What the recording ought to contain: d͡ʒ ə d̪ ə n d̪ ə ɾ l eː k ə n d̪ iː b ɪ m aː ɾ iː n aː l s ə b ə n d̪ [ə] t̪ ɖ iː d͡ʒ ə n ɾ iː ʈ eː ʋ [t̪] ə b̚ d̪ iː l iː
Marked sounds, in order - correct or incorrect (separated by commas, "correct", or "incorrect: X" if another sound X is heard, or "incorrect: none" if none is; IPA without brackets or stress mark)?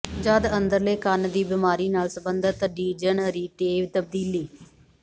correct, correct